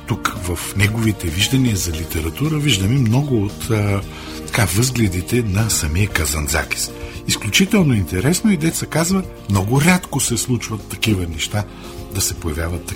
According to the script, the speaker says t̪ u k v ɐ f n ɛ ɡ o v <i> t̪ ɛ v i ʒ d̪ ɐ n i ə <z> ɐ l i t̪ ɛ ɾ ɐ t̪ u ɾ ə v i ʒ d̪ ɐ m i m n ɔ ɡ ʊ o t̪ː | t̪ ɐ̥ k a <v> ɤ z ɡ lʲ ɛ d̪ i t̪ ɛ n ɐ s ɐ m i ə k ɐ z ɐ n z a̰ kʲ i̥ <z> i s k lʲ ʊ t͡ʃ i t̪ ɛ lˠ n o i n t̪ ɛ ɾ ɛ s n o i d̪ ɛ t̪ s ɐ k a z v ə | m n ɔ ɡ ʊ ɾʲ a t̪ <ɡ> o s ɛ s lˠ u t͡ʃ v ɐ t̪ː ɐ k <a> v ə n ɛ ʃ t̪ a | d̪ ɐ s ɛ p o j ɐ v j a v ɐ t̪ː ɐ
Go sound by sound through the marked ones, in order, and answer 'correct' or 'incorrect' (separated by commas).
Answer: correct, correct, correct, incorrect, incorrect, incorrect